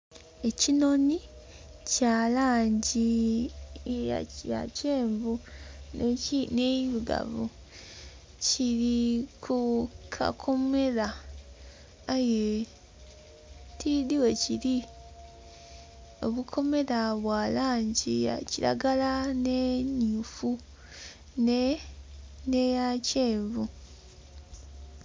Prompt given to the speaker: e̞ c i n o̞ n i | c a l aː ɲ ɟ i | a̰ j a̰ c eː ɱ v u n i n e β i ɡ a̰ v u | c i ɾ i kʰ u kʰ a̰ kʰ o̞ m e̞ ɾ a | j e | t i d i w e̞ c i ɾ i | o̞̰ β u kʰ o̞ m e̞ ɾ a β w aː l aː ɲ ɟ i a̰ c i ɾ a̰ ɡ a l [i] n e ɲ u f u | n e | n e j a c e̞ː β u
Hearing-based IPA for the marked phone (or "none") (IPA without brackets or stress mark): a